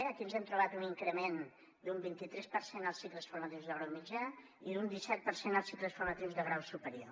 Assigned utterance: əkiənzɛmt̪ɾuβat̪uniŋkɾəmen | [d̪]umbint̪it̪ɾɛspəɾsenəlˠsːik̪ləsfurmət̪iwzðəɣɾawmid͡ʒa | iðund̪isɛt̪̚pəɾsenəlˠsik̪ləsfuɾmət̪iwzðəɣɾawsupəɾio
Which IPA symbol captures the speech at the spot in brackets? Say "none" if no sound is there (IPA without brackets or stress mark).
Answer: d̪